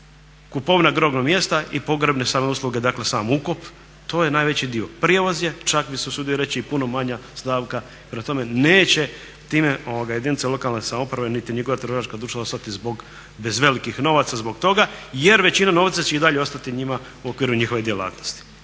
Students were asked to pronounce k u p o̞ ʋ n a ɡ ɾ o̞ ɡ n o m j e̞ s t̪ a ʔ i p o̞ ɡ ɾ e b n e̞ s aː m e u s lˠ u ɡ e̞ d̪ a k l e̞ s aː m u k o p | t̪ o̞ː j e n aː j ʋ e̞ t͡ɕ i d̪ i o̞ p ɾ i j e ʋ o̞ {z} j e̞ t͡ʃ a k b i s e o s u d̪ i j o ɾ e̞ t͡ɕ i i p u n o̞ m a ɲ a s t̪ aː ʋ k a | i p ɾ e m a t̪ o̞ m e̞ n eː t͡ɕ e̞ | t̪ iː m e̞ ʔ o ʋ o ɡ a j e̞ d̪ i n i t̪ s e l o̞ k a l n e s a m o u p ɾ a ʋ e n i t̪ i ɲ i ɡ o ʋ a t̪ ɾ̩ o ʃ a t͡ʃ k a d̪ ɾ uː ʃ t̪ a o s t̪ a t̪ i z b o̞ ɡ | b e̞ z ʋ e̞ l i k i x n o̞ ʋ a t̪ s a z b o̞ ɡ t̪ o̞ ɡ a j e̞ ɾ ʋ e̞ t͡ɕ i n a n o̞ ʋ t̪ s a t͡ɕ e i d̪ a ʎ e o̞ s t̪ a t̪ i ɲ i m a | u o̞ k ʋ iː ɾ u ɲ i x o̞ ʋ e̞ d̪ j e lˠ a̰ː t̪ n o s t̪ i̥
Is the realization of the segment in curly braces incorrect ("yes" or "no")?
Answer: no